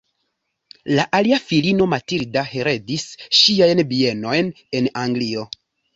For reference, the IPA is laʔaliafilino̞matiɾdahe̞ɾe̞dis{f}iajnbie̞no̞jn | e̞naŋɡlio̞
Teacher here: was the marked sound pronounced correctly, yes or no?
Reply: no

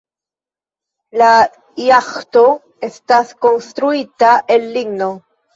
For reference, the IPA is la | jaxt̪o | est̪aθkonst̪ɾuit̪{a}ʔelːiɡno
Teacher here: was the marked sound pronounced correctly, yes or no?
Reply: yes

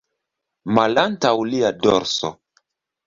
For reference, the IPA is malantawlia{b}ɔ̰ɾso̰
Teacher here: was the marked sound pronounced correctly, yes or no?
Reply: no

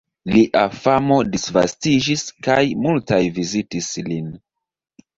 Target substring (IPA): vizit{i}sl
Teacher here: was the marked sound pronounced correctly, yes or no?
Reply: yes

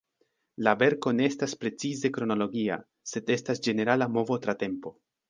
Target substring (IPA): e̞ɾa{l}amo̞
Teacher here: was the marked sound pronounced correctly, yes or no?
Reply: yes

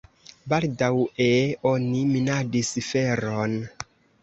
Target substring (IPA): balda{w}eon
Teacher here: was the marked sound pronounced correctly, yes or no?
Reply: yes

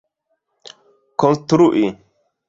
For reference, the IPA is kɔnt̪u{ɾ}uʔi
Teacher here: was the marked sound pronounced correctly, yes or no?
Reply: yes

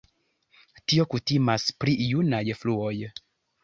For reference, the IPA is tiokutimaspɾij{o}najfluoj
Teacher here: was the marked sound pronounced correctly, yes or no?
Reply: no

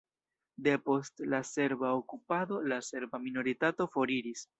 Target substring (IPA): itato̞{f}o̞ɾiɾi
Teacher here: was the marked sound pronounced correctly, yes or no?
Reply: yes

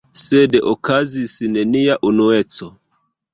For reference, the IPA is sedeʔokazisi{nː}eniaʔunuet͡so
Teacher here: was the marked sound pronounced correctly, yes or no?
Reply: no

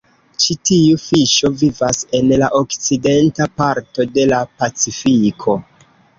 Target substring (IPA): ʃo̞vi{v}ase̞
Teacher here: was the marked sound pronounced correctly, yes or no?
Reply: yes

